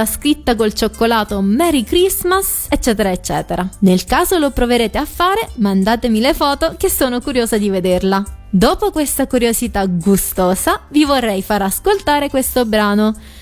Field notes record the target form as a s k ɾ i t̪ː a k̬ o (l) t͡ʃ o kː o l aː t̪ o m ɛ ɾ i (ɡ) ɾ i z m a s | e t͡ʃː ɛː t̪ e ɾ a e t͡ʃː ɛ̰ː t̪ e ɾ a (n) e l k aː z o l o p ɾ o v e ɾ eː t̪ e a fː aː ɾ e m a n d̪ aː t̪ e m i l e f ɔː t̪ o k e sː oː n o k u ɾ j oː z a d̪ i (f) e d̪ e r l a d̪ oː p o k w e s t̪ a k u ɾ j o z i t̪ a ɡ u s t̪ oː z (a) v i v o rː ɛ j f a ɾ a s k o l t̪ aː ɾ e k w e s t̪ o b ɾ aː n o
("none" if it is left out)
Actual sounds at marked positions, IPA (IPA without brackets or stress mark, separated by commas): l, k, n, v, a